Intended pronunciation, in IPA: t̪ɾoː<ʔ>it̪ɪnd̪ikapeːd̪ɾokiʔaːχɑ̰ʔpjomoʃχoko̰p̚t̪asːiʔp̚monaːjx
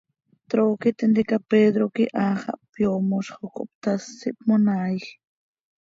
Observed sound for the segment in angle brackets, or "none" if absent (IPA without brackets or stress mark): k